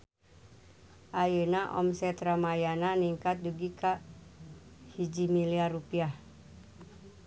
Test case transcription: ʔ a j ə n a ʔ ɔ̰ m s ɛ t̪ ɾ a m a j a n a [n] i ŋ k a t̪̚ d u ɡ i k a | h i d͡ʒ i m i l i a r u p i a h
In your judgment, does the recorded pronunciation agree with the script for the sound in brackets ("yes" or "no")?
yes